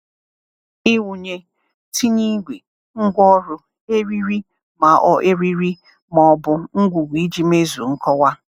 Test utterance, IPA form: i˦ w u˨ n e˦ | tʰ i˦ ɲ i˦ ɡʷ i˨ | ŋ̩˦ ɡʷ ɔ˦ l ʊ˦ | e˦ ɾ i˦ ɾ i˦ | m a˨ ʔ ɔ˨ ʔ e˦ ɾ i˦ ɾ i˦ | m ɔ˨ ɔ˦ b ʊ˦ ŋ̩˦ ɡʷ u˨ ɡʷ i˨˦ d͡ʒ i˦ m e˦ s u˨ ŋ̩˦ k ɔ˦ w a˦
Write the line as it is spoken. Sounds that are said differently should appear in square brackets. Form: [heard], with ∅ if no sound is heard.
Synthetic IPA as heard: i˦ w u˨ [ɲ] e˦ | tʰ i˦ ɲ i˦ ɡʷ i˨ | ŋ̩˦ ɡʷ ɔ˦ [ɾ] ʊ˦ | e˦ ɾ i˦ ɾ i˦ | m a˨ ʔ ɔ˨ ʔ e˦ ɾ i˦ ɾ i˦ | m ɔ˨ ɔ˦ b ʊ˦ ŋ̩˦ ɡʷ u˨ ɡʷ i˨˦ d͡ʒ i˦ m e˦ [z] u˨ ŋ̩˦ k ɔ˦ w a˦

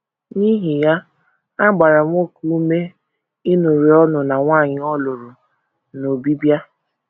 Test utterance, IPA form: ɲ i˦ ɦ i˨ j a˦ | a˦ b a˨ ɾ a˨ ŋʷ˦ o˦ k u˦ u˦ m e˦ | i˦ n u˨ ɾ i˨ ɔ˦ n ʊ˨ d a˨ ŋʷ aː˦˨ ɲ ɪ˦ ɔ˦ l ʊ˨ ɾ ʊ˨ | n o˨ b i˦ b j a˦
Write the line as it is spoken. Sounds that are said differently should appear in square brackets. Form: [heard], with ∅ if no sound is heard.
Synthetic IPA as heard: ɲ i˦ ɦ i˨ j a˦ | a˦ [ɡ͡b] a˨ ɾ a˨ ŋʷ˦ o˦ k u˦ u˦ m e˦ | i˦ n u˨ ɾ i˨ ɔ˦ n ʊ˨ [n] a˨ ŋʷ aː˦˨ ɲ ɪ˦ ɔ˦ l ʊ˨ ɾ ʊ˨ | n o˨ b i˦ b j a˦

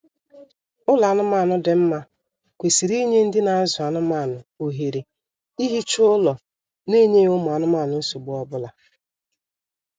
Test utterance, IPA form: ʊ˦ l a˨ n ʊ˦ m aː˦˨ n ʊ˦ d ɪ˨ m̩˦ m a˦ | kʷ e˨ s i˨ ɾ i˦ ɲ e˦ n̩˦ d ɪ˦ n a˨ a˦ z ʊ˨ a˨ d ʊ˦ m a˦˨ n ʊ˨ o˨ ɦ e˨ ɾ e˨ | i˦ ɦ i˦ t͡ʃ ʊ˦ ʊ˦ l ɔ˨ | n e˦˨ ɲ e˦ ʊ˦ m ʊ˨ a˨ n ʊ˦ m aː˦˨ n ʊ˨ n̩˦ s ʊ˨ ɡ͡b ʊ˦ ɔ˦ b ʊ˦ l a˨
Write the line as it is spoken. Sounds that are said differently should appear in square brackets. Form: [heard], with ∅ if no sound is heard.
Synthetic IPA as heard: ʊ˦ l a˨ n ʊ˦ m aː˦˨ n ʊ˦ d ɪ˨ m̩˦ m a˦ | kʷ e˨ s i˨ ɾ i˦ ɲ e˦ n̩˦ d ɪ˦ n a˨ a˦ z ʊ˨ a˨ [n] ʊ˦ m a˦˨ n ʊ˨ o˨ ɦ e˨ ɾ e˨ | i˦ ɦ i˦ t͡ʃ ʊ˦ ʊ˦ l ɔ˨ | n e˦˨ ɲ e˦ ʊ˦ m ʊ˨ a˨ n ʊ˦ m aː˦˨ n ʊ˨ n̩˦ s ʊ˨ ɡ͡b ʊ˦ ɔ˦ b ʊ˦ l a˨

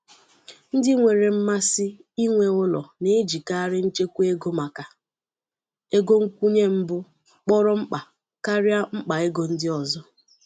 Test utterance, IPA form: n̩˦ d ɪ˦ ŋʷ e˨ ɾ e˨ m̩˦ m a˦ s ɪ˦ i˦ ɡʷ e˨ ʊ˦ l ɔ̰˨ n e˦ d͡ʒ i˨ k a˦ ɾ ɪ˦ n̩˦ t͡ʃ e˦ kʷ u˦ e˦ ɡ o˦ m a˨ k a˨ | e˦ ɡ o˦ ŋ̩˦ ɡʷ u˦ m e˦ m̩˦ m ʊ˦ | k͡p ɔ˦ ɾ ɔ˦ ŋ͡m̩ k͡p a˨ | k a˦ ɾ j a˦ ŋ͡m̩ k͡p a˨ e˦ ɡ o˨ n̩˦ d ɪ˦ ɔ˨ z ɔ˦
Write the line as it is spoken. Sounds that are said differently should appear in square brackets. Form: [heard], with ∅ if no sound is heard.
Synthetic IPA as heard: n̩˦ d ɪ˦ ŋʷ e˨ ɾ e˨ m̩˦ m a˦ s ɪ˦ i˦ [ŋʷ] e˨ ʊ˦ l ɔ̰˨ n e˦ d͡ʒ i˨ k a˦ ɾ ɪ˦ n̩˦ t͡ʃ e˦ kʷ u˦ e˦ ɡ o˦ m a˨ k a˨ | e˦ ɡ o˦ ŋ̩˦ [kʷ] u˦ [ɲ] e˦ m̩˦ [b] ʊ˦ | k͡p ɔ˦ ɾ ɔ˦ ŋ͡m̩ k͡p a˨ | k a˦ ɾ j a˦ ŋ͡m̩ k͡p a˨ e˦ ɡ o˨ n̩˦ d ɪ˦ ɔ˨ z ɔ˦

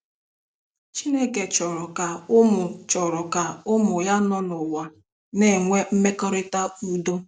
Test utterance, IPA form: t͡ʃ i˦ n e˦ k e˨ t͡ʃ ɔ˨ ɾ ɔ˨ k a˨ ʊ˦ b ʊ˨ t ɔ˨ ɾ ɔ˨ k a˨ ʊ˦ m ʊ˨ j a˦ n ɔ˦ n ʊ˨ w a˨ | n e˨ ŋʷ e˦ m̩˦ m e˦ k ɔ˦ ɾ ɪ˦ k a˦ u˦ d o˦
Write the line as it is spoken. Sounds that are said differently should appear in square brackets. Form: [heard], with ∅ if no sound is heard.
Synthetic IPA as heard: t͡ʃ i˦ n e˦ k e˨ t͡ʃ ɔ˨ ɾ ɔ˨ k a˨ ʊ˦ [m] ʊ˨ [t͡ʃ] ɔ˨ ɾ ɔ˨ k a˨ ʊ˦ m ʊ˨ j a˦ n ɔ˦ n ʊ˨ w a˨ | n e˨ ŋʷ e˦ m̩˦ m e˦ k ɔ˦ ɾ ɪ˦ [t] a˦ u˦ d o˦

